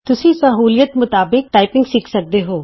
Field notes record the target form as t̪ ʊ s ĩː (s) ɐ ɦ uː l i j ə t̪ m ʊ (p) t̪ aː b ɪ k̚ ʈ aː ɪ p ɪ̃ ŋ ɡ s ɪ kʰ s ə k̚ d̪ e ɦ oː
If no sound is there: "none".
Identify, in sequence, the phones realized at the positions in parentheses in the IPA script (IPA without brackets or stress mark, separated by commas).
s, none